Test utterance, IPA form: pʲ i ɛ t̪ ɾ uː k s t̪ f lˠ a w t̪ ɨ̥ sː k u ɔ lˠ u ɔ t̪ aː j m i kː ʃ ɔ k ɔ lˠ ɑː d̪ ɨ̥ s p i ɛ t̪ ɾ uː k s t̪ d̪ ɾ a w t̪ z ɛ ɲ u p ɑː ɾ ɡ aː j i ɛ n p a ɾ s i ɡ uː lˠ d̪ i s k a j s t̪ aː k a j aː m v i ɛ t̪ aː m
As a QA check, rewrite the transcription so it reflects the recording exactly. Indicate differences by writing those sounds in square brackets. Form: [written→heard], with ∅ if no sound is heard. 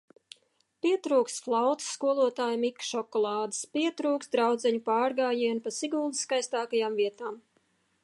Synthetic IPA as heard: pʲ i ɛ t̪ ɾ uː k s t̪ f lˠ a w t̪ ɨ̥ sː k u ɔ lˠ u ɔ t̪ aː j m i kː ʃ ɔ k ɔ lˠ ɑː d̪ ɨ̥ s p i ɛ t̪ ɾ uː k s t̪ d̪ ɾ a w [t̪→d̪] z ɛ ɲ u p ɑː ɾ ɡ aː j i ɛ n p a [ɾ→∅] s i ɡ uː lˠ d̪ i s k a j s t̪ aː k a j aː m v i ɛ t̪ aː m

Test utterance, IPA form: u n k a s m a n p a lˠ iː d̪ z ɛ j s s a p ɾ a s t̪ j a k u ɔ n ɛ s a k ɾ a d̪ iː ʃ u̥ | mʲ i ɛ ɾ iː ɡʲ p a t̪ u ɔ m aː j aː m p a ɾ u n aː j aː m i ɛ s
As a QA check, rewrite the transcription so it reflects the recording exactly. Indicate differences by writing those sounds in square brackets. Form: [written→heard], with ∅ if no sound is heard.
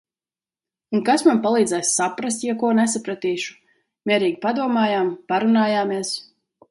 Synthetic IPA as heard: u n k a s m a n p a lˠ iː d̪ z ɛ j s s a p ɾ a s t̪ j a k u ɔ n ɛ s a [k→p] ɾ a [d̪→t̪] iː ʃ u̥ | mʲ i ɛ ɾ iː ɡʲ p a [t̪→d̪] u ɔ m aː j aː m p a ɾ u n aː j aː m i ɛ s

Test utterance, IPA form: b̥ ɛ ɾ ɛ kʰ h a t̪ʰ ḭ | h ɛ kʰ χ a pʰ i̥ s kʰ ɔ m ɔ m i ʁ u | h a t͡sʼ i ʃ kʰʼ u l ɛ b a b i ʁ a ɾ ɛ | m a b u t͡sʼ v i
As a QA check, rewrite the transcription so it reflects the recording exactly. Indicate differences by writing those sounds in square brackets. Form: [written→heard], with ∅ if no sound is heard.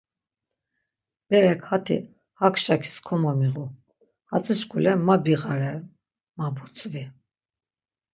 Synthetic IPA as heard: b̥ ɛ ɾ ɛ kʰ h a t̪ʰ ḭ | h [ɛ→a] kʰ [χ→ʃ] a [pʰ→kʰ] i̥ s kʰ ɔ m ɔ m i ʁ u | h a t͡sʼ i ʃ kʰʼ u l ɛ [b→m] a b i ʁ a ɾ ɛ | m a b u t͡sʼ v i

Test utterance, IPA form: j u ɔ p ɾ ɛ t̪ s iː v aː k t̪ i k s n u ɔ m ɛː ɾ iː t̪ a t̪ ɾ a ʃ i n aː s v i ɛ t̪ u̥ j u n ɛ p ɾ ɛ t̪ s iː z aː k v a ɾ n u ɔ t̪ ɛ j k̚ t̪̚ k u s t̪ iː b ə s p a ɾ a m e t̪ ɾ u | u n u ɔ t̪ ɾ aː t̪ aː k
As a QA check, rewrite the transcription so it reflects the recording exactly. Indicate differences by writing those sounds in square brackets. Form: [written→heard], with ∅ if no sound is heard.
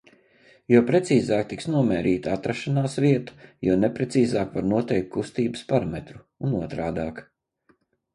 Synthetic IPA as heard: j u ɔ p ɾ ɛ t̪ s iː [v→z] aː k t̪ i k s n u ɔ m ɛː ɾ iː t̪ a t̪ ɾ a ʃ [i→a] n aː s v i ɛ t̪ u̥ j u n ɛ p ɾ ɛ t̪ s iː z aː k v a ɾ n u ɔ t̪ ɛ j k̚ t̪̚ k u s t̪ iː b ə s p a ɾ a m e t̪ ɾ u | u n u ɔ t̪ ɾ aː [t̪→d̪] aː k

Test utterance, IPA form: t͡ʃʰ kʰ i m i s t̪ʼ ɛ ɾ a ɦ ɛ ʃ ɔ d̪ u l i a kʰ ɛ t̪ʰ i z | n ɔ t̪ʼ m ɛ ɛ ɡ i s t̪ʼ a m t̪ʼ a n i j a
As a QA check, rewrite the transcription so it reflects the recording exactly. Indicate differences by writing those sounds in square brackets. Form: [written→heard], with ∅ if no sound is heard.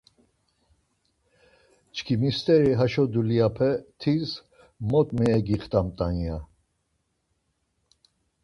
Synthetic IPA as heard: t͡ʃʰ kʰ i m i s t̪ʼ ɛ ɾ [a→i] ɦ [ɛ→a] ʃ ɔ d̪ u l i a [kʰ→pʰ] ɛ t̪ʰ i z | [n→m] ɔ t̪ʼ m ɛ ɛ ɡ i [s→χ] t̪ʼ a m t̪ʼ a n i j a

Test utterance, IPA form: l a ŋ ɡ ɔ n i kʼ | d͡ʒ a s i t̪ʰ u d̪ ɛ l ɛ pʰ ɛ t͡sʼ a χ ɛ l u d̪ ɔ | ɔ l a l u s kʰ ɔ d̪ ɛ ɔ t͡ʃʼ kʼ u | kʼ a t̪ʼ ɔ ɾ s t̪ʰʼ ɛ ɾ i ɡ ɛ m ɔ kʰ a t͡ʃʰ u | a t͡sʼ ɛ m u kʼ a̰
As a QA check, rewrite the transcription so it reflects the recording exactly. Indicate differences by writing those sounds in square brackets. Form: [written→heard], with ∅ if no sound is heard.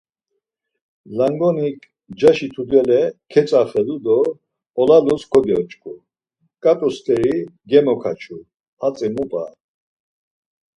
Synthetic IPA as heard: l a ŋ ɡ ɔ n i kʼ | d͡ʒ a [s→ʃ] i t̪ʰ u d̪ ɛ l ɛ [pʰ→kʰ] ɛ t͡sʼ a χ ɛ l u d̪ ɔ | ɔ l a l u s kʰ ɔ d̪ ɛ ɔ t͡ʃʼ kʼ u | kʼ a t̪ʼ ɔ [ɾ→∅] s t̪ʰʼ ɛ ɾ i ɡ ɛ m ɔ kʰ a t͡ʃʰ u | a t͡sʼ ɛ m u [kʼ→pʼ] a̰

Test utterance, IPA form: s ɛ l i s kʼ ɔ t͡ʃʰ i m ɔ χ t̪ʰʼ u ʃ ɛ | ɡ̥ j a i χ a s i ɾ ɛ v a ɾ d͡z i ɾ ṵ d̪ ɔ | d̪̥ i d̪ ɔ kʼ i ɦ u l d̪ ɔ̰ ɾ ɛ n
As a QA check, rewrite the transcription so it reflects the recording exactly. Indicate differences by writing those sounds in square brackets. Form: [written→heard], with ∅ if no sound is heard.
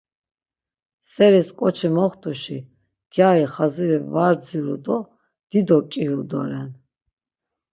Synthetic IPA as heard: s ɛ [l→ɾ] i s kʼ ɔ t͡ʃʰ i m ɔ χ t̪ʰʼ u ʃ [ɛ→i] | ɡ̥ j a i χ a [s→z] i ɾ ɛ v a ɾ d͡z i ɾ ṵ d̪ ɔ | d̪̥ i d̪ ɔ kʼ i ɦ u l d̪ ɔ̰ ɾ ɛ n

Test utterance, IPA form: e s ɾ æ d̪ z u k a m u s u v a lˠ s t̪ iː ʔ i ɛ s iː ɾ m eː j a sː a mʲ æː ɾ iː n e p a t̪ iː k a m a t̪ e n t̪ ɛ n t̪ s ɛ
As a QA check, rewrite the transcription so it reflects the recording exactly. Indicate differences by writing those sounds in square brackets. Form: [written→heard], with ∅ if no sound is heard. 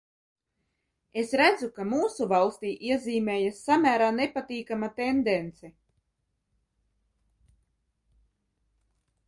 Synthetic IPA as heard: e s ɾ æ d̪ z u k a m [u→uː] s u v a lˠ s t̪ iː ʔ i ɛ [s→z] iː [ɾ→∅] m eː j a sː a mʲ æː ɾ [iː→aː] n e p a t̪ iː k a m a t̪ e n [t̪→d̪] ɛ n t̪ s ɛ

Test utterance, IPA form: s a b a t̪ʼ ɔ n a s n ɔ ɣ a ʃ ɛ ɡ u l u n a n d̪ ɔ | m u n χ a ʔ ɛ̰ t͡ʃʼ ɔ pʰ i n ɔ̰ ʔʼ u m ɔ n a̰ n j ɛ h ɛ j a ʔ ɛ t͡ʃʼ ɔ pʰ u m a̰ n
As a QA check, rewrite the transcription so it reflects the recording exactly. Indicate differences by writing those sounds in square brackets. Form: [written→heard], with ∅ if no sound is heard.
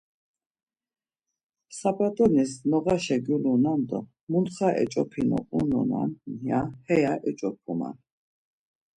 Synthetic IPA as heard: s a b a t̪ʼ ɔ n [a→i] s n ɔ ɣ a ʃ ɛ ɡ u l u n a n d̪ ɔ | m u n χ a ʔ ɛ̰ t͡ʃʼ ɔ pʰ i n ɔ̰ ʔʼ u [m→n] ɔ n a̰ n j [ɛ→a] h ɛ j a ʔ ɛ t͡ʃʼ ɔ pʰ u m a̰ n

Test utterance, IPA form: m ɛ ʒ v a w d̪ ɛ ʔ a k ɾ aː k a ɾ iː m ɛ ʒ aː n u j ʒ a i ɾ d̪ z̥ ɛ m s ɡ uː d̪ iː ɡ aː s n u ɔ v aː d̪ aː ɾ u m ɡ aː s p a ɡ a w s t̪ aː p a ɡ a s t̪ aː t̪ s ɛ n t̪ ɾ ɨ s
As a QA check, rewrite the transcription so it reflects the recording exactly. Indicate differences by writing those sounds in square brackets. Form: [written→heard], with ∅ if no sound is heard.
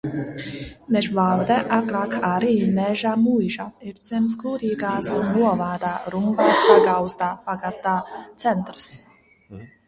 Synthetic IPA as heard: m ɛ ʒ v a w d̪ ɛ ʔ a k ɾ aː k a ɾ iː m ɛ ʒ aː [n→m] u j ʒ a i ɾ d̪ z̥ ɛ m s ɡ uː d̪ iː ɡ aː s n u ɔ v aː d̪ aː ɾ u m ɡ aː s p a ɡ a w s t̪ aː p a ɡ a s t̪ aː t̪ s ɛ n t̪ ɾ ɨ s

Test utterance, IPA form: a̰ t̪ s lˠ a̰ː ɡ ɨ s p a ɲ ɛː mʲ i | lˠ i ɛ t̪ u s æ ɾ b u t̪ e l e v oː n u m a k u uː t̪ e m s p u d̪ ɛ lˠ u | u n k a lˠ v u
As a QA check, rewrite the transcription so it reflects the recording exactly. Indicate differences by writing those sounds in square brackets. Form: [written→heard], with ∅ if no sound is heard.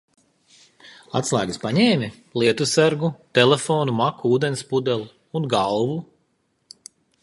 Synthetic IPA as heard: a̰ t̪ s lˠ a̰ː ɡ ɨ s p a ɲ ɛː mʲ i | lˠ i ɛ t̪ u s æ ɾ [b→ɡ] u t̪ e l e [v→f] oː n u m a k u uː [t̪→d̪] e [m→n] s p u d̪ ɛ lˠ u | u n [k→ɡ] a lˠ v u

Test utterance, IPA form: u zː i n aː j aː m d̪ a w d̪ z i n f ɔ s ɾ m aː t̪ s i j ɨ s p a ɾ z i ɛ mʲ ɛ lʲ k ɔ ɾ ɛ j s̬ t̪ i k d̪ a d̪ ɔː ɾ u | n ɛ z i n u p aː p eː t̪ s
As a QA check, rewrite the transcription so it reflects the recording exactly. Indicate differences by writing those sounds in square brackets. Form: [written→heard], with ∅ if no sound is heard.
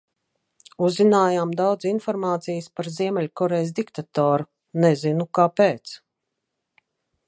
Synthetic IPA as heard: u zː i n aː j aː m d̪ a w d̪ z i n f ɔ [s→∅] ɾ m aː t̪ s i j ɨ s p a ɾ z i ɛ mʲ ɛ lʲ k ɔ ɾ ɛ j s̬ [t̪→d̪] i k [d̪→t̪] a [d̪→t̪] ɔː ɾ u | n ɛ z i n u [p→k] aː p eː t̪ s

